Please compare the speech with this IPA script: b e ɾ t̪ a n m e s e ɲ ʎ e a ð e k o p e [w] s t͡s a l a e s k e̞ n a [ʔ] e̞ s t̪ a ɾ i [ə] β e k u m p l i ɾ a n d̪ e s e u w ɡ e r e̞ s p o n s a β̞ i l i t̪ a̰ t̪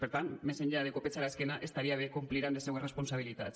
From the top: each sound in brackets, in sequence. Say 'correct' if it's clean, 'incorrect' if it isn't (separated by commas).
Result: incorrect, correct, incorrect